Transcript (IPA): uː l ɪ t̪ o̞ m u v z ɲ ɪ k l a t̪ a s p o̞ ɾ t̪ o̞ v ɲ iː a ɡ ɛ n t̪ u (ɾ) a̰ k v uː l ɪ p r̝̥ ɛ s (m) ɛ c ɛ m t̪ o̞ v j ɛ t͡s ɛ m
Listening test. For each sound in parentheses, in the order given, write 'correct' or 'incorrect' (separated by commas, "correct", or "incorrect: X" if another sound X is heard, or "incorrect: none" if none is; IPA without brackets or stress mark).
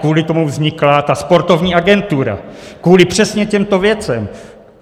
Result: correct, incorrect: ɲ